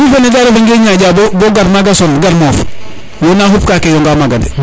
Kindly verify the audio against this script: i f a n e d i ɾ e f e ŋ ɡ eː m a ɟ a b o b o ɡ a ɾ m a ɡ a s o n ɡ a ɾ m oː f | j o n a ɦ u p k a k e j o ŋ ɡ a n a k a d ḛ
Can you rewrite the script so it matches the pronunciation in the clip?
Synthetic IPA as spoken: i f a n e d a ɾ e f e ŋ ɡ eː ɲ a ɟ a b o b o ɡ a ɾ m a ɡ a s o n ɡ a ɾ m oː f | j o n a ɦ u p k a k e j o ŋ ɡ a m a ɡ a d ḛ